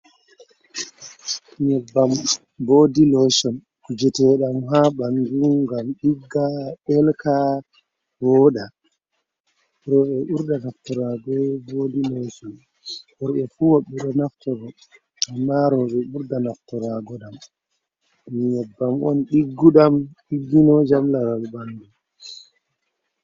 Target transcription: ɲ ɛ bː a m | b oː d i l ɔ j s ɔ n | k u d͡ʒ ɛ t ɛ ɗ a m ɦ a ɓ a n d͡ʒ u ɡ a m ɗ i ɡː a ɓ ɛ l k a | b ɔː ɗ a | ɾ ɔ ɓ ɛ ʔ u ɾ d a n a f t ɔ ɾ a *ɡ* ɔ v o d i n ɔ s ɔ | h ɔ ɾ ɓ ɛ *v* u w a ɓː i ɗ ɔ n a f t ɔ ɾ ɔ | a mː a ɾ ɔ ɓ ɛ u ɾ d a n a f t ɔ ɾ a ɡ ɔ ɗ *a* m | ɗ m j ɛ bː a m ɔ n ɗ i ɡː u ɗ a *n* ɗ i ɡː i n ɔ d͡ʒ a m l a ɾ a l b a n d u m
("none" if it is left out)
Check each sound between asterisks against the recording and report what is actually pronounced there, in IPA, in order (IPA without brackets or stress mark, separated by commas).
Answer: ɡ, f, a, m